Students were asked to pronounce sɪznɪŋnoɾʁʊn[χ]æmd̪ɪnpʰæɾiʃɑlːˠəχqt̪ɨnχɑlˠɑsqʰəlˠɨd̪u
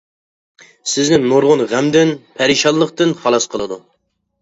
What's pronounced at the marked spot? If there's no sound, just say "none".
ʁ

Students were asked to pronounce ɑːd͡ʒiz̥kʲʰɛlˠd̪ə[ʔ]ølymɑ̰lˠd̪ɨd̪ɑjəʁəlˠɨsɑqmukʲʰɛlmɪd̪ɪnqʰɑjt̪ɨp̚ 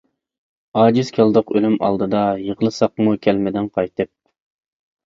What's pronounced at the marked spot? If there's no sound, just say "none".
q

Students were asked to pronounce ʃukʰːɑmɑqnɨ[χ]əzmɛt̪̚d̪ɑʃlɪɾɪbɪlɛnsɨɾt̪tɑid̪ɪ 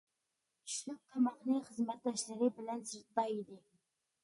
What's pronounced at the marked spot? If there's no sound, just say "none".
χ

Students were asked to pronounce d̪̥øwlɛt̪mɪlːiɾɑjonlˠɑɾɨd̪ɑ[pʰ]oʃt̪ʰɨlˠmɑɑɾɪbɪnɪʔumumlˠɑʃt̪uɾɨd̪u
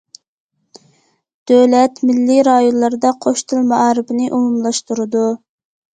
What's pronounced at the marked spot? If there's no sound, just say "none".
qʰ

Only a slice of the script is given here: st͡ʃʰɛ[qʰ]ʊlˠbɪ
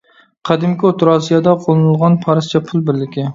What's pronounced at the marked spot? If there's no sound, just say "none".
pʰ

